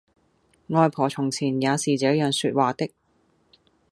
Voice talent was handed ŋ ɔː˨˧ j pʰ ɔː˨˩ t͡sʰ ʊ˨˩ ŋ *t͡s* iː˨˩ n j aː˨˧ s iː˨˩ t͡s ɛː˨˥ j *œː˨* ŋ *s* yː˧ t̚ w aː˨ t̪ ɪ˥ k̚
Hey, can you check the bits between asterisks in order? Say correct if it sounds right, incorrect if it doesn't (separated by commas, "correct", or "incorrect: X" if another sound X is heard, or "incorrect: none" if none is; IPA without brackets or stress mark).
incorrect: t͡sʰ, correct, correct